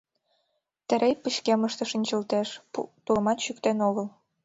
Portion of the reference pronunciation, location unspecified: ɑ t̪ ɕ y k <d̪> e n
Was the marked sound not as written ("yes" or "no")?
yes